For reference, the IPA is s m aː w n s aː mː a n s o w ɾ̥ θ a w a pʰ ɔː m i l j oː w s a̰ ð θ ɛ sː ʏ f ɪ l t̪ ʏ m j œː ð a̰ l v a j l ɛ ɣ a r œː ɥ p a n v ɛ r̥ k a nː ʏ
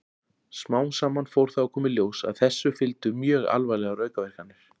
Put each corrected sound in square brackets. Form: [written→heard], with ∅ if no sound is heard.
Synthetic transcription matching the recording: s m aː w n s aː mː a n [s→f] o w ɾ̥ θ a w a [pʰ→kʰ] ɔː m [i→ɪ] l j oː w s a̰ ð θ ɛ sː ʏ f ɪ l t̪ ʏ m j œː [ð→ɣ] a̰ l v a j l ɛ ɣ a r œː ɥ [p→k] a [n→∅] v ɛ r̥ k a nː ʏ